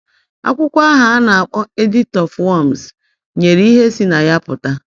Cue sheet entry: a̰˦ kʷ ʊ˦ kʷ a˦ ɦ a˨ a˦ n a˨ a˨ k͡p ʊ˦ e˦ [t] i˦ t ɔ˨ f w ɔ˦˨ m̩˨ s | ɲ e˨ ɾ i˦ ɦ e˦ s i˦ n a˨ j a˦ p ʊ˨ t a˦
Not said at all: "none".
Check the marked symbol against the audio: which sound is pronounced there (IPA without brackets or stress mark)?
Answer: d